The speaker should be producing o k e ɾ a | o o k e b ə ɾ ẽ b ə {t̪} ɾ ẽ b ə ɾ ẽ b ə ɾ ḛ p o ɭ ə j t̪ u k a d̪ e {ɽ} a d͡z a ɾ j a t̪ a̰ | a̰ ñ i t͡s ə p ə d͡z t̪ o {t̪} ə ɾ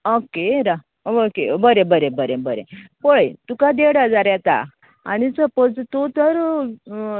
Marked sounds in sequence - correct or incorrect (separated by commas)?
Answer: incorrect, correct, correct